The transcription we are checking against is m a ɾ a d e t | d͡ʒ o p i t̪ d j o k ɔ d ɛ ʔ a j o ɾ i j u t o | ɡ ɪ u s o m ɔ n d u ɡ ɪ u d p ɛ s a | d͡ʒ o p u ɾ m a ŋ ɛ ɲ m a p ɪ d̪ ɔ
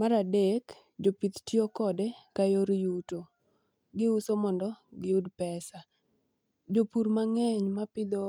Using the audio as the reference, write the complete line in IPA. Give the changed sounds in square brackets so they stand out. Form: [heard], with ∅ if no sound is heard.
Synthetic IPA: m a ɾ a d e [k] | d͡ʒ o p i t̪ [t] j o k ɔ d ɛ [k] a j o ɾ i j u t o | ɡ ɪ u s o m ɔ n d [ɔ] ɡ ɪ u d p ɛ s a | d͡ʒ o p u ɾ m a ŋ ɛ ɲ m a p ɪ d̪ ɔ